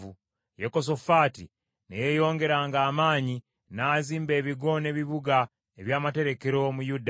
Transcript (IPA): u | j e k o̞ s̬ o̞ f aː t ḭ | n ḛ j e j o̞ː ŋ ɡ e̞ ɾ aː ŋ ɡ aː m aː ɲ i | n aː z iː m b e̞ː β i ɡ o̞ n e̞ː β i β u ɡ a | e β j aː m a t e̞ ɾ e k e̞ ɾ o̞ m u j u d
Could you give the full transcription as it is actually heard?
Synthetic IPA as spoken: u | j e k o̞ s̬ o̞ f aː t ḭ | n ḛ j e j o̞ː ŋ ɡ e̞ ɾ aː ŋ ɡ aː m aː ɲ i | n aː z iː m b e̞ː β i ɡ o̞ n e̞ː β i β u ɡ a | e β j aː m a t e̞ ɾ e k e̞ ɾ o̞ m u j u d